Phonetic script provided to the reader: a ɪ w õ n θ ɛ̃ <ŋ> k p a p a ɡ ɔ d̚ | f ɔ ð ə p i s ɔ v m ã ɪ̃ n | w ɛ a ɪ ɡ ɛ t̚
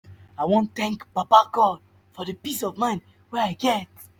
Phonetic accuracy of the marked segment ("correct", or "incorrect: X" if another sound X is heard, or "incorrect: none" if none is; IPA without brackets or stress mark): correct